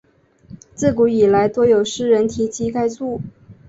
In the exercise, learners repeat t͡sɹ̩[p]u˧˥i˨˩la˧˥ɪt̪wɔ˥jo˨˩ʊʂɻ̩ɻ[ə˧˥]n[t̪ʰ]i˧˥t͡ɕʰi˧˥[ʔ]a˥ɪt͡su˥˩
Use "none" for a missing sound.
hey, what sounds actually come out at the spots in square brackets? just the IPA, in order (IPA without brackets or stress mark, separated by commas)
k, ə˧˥, t̪ʰ, k